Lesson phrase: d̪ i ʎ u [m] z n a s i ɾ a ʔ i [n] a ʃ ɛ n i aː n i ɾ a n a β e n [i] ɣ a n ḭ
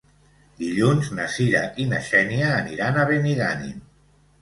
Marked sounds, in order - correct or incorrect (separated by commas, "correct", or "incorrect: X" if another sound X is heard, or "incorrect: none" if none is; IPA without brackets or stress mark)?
incorrect: n, correct, correct